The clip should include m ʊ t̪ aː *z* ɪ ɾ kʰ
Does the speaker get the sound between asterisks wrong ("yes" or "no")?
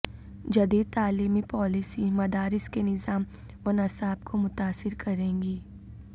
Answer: yes